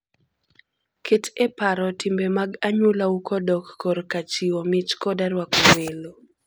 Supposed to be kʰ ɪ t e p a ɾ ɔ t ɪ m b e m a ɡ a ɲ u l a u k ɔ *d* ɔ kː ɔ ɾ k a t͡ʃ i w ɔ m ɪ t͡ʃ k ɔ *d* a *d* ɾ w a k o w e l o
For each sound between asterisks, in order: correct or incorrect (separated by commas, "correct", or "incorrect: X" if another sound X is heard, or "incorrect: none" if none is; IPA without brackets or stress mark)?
correct, correct, incorrect: none